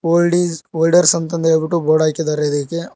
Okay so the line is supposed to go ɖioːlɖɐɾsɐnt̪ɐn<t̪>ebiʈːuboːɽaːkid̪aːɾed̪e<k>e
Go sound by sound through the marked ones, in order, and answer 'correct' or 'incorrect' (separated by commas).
incorrect, correct